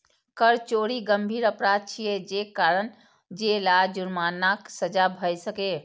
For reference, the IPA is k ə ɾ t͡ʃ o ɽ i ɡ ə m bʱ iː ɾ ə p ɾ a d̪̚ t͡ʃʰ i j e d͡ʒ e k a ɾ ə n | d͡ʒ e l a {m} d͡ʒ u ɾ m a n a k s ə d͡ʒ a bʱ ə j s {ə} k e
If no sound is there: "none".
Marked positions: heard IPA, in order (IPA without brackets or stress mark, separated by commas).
none, ə